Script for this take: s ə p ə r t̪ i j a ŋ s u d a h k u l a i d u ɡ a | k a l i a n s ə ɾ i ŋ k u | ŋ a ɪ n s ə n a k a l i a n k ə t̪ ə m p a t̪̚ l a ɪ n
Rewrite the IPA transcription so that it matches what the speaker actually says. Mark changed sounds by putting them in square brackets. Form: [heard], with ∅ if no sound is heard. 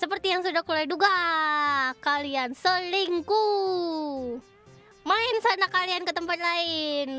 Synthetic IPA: s ə p ə r t̪ i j a ŋ s u d a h k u l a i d u ɡ a | k a l i a n s ə [l] i ŋ k u | [m] a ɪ n s [a] n a k a l i a n k ə t̪ ə m p a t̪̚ l a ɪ n